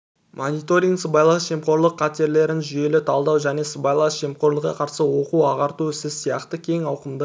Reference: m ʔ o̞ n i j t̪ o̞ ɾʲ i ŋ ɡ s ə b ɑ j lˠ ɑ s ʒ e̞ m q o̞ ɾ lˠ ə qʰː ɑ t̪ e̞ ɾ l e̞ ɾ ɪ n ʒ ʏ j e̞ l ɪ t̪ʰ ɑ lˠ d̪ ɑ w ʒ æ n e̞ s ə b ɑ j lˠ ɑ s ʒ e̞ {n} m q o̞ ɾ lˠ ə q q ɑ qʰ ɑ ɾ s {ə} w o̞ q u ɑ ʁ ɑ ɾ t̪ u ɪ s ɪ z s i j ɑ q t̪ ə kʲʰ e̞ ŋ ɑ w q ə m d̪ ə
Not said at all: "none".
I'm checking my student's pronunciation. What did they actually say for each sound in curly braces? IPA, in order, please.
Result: none, ə

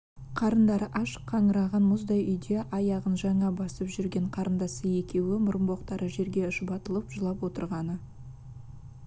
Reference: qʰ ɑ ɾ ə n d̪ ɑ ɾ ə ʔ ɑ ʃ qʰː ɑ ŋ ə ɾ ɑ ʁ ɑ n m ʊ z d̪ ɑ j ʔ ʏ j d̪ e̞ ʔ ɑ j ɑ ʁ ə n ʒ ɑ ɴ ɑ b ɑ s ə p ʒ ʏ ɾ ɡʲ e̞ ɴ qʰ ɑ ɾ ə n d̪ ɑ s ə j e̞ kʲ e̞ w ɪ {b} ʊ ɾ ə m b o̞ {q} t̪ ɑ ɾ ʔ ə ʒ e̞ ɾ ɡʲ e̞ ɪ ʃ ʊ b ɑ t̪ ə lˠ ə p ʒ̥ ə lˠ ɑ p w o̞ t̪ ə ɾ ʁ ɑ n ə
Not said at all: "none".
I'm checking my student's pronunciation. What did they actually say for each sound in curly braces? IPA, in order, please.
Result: m, q

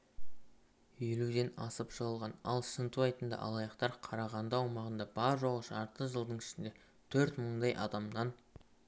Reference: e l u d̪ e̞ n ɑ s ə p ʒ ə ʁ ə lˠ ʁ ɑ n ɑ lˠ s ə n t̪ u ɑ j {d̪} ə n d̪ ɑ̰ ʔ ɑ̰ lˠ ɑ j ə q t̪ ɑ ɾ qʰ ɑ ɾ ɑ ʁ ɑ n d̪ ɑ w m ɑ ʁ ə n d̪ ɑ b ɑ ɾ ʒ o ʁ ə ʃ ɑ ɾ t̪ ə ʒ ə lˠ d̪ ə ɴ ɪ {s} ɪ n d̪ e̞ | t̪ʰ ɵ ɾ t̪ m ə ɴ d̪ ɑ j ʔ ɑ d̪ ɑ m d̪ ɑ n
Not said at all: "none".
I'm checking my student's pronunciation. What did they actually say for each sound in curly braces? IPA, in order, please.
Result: t̪, ʃ

